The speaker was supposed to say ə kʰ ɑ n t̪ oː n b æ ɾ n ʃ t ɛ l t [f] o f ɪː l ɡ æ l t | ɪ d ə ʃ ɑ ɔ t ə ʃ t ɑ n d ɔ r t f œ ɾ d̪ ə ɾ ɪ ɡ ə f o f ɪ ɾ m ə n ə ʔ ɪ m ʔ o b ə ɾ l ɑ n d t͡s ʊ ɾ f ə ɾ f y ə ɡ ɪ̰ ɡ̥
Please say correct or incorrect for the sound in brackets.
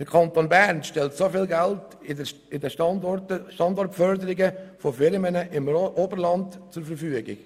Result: incorrect